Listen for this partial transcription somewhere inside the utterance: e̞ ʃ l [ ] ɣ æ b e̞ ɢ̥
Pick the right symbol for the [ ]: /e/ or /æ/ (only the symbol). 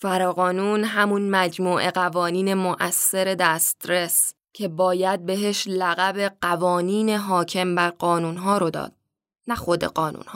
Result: æ